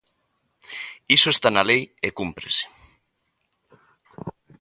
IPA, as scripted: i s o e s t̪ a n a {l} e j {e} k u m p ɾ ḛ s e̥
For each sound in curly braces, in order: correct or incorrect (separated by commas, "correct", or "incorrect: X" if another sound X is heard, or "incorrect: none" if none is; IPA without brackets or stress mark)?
correct, correct